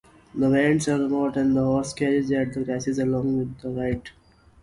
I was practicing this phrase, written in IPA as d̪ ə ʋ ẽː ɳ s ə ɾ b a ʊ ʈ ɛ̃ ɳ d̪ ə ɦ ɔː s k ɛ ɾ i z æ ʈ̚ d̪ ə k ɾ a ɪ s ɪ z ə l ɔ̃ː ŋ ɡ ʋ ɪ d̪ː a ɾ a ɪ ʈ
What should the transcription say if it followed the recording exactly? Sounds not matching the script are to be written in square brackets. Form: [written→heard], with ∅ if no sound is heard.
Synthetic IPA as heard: d̪ ə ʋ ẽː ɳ s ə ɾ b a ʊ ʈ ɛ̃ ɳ d̪ ə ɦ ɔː s k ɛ ɾ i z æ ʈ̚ d̪ ə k ɾ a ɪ s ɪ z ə l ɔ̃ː ŋ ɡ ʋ ɪ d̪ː [a→ə] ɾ a ɪ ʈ